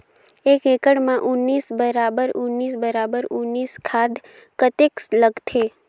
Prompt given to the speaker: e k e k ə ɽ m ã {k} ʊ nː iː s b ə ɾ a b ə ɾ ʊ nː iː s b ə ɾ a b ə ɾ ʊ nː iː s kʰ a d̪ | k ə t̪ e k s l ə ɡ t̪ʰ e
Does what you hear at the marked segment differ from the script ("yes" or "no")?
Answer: yes